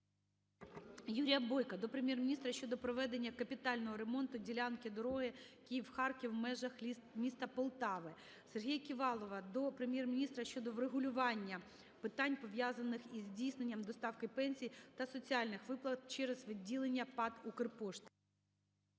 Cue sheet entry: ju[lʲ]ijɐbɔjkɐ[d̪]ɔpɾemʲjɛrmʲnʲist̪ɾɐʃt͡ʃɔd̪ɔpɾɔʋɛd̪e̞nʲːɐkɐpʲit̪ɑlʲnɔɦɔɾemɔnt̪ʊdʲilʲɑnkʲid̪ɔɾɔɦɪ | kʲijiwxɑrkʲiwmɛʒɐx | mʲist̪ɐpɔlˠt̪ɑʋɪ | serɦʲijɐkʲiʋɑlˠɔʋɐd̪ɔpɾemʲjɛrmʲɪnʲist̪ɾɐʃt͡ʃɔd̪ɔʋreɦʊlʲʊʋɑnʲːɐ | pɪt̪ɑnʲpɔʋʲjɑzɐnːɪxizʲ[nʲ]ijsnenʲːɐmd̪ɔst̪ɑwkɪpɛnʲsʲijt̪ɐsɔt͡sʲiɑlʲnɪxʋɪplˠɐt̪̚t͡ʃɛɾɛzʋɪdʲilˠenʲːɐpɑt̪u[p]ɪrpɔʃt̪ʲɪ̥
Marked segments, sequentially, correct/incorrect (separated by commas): incorrect, correct, incorrect, incorrect